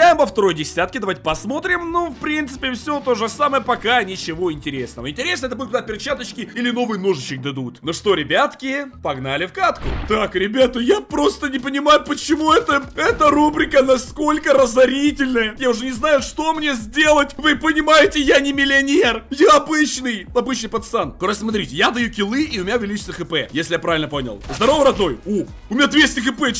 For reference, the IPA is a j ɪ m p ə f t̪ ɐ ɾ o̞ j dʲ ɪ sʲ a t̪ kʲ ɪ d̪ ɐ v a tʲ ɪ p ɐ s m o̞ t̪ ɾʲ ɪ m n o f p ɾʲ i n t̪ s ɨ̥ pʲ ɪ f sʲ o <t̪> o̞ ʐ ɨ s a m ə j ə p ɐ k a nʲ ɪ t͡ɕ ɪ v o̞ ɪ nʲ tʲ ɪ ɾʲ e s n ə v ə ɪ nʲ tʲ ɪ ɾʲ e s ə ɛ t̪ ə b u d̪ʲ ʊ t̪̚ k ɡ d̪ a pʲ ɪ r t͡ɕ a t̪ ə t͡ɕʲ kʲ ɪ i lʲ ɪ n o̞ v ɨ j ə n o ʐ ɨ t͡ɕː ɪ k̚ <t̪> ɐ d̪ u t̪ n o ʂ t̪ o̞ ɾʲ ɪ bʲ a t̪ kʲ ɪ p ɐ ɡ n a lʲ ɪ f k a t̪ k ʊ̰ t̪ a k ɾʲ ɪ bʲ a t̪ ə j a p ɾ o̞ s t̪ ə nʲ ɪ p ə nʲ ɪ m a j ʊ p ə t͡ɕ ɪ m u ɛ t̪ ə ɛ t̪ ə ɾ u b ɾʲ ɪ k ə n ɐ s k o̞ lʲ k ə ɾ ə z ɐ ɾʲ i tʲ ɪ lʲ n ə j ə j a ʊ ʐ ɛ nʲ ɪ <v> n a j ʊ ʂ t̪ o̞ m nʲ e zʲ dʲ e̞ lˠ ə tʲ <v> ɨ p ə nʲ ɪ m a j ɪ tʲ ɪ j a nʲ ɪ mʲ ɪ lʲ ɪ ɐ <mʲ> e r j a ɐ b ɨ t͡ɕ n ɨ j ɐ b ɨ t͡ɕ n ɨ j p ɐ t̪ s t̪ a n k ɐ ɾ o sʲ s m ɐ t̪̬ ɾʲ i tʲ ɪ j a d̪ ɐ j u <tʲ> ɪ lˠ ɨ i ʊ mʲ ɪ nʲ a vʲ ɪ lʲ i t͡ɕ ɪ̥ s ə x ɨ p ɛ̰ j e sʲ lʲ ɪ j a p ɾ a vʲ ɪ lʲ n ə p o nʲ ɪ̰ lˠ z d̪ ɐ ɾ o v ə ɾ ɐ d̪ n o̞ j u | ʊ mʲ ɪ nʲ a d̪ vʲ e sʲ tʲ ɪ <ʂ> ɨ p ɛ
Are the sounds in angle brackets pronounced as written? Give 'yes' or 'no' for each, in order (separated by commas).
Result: yes, no, no, yes, no, no, no